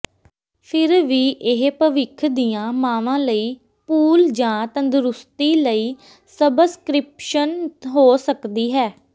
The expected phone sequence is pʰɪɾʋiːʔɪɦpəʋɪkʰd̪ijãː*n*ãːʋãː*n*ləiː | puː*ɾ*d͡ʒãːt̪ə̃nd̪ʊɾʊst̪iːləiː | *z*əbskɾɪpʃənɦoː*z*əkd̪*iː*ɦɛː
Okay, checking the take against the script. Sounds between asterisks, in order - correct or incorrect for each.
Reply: incorrect: m, incorrect: none, incorrect: l, incorrect: s, incorrect: s, correct

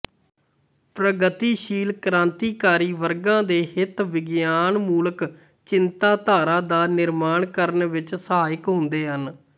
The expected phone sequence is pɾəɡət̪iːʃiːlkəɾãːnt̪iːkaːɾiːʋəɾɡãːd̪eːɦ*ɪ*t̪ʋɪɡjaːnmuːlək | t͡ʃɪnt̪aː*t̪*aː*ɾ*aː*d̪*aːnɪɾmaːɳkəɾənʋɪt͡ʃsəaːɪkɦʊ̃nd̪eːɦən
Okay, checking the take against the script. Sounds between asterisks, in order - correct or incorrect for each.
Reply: correct, correct, correct, correct

